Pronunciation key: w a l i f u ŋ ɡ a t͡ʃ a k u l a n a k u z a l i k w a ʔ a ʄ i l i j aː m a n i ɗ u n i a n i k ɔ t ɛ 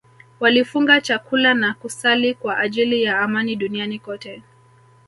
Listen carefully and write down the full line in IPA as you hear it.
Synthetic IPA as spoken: w a l i f u ŋ ɡ a t͡ʃ a k u l a n a k u s a l i k w a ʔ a ʄ i l i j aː m a n i ɗ u n i a n i k ɔ t ɛ